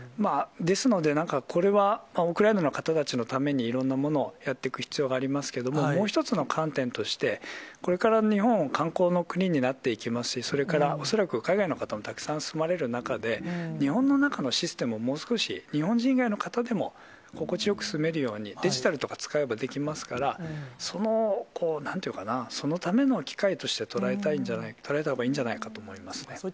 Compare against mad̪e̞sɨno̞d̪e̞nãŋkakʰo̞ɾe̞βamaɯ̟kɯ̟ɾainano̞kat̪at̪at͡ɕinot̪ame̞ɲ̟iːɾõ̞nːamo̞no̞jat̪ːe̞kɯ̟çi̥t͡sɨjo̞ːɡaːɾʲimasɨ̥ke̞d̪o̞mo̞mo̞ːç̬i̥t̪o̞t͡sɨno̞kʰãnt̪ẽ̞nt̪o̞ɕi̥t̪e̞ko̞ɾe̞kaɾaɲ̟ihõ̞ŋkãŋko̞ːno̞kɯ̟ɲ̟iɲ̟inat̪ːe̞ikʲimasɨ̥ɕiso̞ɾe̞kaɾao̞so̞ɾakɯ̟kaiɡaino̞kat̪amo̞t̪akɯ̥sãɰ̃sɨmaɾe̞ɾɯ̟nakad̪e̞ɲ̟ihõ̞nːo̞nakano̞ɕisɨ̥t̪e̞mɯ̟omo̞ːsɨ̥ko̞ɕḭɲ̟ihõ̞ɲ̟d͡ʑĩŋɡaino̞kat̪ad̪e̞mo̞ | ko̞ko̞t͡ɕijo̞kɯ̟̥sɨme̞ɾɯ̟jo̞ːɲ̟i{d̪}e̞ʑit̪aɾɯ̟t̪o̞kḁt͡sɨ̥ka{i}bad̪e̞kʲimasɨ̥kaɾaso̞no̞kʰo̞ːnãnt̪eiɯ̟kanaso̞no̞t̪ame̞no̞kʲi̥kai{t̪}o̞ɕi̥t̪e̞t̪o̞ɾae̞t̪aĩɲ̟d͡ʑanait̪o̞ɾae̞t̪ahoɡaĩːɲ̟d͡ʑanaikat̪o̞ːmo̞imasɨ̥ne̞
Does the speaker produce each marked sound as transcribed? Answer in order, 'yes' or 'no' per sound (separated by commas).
yes, no, yes